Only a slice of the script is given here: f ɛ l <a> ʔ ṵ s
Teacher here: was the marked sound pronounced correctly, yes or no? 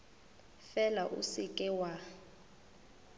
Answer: yes